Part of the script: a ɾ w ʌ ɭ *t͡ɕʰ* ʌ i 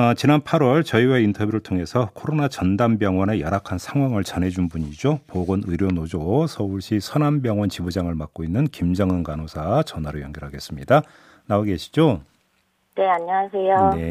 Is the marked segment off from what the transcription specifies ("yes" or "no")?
yes